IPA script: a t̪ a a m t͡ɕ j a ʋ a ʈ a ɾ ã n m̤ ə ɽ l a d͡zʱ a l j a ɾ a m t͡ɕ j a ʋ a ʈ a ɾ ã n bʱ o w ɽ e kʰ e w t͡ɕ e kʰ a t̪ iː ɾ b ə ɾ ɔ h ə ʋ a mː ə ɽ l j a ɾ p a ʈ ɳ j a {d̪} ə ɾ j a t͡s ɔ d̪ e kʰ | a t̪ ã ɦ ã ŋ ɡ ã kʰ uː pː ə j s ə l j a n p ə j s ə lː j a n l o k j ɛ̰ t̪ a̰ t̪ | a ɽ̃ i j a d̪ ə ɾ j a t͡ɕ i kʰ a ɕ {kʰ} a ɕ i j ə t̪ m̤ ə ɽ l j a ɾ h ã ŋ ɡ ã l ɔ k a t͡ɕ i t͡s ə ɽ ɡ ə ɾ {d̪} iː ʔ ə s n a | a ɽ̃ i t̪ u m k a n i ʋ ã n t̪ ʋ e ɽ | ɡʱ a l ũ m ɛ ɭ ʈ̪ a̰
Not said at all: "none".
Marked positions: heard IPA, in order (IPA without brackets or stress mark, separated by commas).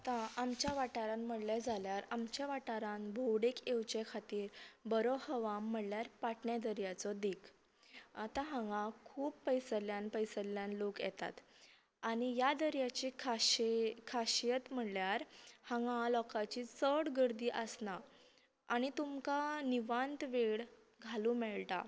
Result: d̪, kʰ, d̪